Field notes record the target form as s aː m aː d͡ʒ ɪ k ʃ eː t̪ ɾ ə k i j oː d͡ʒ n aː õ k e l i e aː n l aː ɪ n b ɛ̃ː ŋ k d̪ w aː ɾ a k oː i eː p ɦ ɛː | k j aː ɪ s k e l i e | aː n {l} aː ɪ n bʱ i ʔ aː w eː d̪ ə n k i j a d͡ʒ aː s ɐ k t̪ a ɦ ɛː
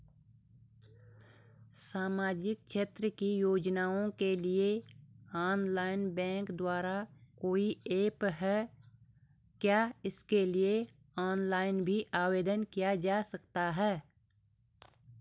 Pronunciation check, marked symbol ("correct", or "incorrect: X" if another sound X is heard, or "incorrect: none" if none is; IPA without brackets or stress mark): correct